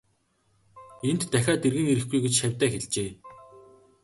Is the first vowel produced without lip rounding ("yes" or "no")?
yes